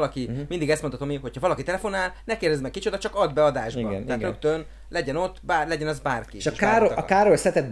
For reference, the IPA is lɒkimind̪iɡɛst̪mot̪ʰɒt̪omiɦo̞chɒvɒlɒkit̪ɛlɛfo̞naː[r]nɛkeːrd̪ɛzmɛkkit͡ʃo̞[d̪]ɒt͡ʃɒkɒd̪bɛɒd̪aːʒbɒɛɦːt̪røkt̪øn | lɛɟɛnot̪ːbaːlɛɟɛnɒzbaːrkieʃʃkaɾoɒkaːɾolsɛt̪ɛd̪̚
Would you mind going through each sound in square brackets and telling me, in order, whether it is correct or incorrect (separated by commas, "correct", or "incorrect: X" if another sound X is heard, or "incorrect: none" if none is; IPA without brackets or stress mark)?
incorrect: l, correct